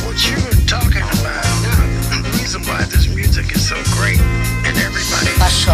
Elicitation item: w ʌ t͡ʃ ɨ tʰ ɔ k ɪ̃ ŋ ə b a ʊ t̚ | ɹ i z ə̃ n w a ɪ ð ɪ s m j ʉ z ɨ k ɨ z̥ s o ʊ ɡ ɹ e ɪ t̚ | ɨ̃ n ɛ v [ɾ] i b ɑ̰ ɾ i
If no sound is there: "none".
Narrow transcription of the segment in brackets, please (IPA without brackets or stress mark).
ɹ